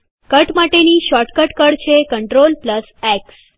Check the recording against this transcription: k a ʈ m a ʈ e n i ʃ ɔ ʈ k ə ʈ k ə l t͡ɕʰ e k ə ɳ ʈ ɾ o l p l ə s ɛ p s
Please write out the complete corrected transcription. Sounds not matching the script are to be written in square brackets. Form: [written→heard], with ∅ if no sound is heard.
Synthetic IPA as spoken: k [a→ə] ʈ m a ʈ e n i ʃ ɔ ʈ k ə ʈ k ə [l→ɽ] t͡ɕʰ e k ə ɳ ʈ ɾ o l p l ə s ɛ [p→k] s

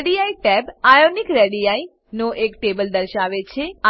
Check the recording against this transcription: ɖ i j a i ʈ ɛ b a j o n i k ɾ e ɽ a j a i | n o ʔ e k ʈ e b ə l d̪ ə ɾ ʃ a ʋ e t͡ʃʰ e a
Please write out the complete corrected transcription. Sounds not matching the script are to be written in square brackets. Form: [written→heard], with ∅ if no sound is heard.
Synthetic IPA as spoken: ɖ i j a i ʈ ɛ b a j o n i k ɾ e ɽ [a→i] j a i | n o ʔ e k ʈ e b ə l d̪ ə ɾ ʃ a ʋ e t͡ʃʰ e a

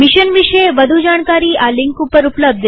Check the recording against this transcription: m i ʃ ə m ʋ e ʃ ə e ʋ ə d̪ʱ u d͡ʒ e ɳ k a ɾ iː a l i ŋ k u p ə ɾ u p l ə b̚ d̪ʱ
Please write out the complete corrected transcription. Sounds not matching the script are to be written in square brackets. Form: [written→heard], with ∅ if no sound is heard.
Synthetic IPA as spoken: m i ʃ ə [m→n] ʋ [e→i] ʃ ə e ʋ ə d̪ʱ u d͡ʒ [e→a] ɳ k a ɾ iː a l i ŋ k u p ə ɾ u p l ə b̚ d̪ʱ

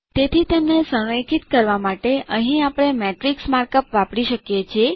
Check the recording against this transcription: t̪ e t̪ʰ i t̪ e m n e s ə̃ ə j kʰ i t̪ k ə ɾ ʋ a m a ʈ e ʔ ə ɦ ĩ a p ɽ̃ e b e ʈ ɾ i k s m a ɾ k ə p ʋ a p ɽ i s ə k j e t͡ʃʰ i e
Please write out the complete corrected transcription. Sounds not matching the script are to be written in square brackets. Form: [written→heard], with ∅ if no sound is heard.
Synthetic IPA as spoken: t̪ e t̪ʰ i t̪ e m n e s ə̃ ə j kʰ i t̪ k ə ɾ ʋ a m a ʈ e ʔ ə ɦ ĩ a p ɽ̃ e [b→m] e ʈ ɾ i k s m a ɾ k ə p ʋ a p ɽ i [s→ʃ] ə k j e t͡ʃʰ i e

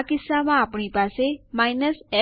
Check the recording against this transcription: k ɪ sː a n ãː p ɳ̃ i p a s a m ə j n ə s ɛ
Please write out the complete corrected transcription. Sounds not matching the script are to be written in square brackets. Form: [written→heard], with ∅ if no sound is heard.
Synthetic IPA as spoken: k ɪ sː a [n→m] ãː p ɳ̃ i p a s [a→e] m [ə→a] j n ə s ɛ

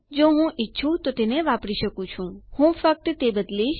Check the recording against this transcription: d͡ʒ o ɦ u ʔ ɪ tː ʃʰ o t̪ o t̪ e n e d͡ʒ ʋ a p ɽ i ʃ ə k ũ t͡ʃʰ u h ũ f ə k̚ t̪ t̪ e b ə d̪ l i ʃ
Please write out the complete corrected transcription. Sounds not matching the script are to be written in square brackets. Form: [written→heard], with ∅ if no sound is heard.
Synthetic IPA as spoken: d͡ʒ o ɦ [u→ũ] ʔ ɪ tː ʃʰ [o→u] t̪ o t̪ e n e [d͡ʒ→∅] ʋ a p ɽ i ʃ ə k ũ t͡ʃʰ [u→ũ] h ũ f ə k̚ t̪ t̪ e b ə d̪ l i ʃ

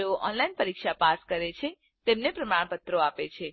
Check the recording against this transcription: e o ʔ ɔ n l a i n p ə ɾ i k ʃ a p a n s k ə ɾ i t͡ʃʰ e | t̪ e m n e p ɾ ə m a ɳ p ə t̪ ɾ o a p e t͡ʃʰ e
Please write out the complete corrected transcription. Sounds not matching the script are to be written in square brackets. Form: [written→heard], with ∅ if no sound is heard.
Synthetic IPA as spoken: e o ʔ ɔ n l a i n p ə ɾ i k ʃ a p a [n→∅] s k ə ɾ [i→e] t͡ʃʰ e | t̪ e m n e p ɾ ə m a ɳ p ə t̪ ɾ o a p e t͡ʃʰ e

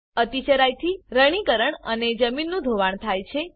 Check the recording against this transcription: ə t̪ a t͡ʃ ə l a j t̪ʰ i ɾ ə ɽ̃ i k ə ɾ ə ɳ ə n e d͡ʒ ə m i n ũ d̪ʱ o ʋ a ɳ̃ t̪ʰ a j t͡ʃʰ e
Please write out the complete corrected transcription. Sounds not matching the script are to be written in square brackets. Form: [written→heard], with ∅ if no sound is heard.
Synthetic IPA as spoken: ə t̪ [a→i] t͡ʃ ə [l→ɾ] a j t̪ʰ i ɾ ə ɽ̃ i k ə ɾ ə ɳ ə n e d͡ʒ ə m i [n→nː] ũ d̪ʱ o ʋ a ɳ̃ t̪ʰ a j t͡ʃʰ e

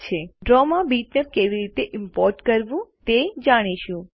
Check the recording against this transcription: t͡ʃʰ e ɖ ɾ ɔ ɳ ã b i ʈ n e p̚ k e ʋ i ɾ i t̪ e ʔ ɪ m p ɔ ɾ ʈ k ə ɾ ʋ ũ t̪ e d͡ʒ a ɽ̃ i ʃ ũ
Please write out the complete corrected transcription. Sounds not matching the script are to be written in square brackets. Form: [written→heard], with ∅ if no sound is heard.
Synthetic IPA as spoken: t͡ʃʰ e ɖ ɾ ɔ [ɳ→m] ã b i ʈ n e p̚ k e ʋ i ɾ i t̪ e ʔ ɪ m p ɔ ɾ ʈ k ə ɾ ʋ ũ t̪ e d͡ʒ a ɽ̃ i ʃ ũ

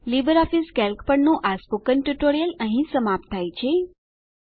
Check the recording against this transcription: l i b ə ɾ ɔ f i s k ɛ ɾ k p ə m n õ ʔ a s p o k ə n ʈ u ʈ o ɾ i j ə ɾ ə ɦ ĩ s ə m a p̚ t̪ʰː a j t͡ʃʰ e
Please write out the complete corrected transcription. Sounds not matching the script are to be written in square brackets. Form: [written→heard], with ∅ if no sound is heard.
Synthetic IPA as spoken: l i b ə ɾ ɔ f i s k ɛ [ɾ→l] k p ə [m→ɳ] n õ ʔ a s p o k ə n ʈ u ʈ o ɾ i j ə [ɾ→l] ə ɦ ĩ s ə m a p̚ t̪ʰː a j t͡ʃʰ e

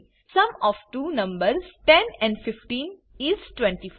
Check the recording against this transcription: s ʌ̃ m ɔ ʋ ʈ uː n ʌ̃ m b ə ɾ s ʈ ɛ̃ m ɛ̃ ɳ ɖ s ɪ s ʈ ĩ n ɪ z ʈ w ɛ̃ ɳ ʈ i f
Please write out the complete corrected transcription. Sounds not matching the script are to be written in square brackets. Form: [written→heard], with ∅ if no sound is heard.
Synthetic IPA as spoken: s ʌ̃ m ɔ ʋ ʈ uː n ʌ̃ m b ə ɾ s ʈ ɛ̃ [m→n] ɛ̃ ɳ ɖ [s→f] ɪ [s→f] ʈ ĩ n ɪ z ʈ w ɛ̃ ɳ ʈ i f

